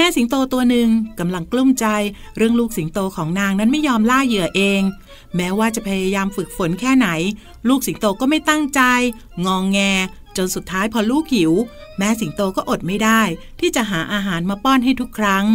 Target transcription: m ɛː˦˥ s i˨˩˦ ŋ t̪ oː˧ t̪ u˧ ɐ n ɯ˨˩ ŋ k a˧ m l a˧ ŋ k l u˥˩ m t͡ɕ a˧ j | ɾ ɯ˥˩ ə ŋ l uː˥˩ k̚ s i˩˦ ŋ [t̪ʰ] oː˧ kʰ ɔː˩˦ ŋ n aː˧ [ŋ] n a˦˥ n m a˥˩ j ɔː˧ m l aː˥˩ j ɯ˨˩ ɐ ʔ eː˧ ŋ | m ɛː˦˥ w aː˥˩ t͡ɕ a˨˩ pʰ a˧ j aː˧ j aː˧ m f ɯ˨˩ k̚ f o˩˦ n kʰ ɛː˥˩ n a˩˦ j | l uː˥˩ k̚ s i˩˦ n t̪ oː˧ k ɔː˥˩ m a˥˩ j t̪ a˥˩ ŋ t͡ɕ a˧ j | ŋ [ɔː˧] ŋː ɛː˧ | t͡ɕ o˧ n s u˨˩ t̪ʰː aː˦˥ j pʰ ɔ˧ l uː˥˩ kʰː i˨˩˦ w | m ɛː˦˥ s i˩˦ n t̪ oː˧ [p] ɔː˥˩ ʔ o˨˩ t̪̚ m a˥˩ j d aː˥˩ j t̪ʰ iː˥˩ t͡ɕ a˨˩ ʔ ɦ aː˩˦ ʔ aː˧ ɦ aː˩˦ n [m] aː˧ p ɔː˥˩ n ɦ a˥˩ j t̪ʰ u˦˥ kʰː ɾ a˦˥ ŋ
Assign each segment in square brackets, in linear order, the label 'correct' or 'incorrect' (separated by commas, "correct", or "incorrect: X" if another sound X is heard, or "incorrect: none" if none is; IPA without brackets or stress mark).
incorrect: t̪, correct, correct, incorrect: k, correct